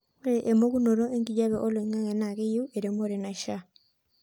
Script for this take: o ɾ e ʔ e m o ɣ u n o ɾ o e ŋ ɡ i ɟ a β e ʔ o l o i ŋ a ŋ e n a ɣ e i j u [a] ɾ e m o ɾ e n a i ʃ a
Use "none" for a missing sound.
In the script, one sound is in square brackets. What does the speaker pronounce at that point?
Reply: e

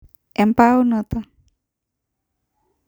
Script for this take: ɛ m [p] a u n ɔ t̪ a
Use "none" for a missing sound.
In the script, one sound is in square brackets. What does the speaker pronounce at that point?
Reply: p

